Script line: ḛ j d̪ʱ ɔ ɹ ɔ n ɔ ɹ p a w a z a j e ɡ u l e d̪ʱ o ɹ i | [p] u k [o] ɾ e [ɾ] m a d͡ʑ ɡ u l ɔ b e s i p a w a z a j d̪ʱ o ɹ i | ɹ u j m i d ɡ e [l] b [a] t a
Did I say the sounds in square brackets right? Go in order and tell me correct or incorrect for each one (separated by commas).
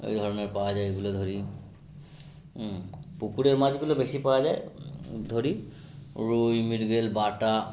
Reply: correct, incorrect, incorrect, correct, correct